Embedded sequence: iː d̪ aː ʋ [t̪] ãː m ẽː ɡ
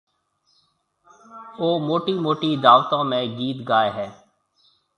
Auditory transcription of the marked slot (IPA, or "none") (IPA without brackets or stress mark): t̪